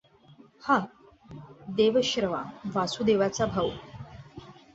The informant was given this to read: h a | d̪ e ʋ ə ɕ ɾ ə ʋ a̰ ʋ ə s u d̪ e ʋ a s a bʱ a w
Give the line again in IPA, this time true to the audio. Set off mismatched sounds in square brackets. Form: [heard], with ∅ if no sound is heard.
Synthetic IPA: h a | d̪ e ʋ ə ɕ ɾ ə ʋ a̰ ʋ [a] s u d̪ e ʋ a [t͡s] a bʱ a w